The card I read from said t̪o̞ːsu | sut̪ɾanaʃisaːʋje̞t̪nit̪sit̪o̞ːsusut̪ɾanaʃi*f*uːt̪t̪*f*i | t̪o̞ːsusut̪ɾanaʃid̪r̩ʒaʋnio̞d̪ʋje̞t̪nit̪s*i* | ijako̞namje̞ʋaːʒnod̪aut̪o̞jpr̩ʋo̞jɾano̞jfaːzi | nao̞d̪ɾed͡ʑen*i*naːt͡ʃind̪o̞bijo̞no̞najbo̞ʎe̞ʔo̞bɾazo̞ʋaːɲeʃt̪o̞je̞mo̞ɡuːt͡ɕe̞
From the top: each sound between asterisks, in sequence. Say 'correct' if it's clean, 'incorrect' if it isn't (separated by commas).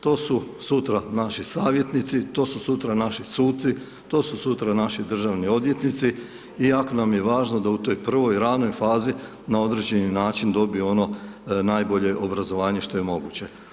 incorrect, incorrect, correct, correct